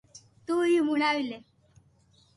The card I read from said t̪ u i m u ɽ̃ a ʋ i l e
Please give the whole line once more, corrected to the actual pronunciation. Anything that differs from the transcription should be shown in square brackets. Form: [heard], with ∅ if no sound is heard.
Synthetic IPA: t̪ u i m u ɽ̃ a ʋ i l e